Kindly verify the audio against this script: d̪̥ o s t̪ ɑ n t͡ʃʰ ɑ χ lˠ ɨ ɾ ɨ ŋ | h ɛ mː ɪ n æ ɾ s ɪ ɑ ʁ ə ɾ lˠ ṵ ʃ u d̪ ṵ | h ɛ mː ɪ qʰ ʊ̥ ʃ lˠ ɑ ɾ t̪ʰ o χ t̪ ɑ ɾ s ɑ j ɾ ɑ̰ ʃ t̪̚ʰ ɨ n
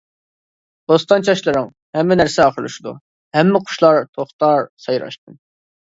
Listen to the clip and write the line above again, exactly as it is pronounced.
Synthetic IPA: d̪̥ o s t̪ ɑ n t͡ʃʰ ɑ ʃ lˠ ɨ ɾ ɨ ŋ | h ɛ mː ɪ n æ ɾ s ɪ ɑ χ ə ɾ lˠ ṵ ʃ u d̪ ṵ | h ɛ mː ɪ qʰ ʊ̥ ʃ lˠ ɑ ɾ t̪ʰ o χ t̪ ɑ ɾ s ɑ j ɾ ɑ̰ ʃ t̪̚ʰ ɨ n